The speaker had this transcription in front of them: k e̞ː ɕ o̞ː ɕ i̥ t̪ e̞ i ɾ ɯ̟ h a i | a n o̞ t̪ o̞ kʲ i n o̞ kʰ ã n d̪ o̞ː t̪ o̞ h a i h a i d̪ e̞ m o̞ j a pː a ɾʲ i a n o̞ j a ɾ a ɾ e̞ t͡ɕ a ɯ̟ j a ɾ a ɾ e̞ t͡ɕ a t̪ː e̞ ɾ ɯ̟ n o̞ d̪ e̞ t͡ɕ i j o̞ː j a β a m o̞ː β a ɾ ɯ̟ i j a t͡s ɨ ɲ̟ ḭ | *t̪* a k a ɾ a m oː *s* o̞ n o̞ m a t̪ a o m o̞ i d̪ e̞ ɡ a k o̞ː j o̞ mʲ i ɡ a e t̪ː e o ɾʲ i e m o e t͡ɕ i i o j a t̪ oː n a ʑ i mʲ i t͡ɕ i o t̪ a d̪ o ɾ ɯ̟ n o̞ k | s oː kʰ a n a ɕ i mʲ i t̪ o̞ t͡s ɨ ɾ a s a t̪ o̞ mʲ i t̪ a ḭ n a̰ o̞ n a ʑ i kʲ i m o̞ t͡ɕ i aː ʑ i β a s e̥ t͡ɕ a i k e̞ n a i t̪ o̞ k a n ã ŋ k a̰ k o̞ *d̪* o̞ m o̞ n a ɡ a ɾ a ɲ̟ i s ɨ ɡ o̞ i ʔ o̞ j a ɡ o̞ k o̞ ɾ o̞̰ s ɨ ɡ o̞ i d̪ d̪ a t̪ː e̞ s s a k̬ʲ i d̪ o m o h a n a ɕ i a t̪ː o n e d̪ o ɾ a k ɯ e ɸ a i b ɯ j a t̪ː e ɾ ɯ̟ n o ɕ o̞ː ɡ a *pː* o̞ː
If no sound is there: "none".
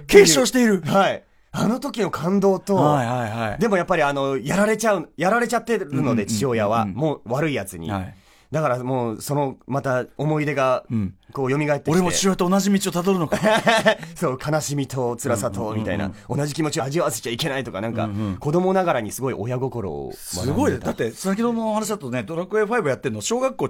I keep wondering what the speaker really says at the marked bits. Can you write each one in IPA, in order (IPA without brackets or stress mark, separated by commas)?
d̪, s, d̪, kː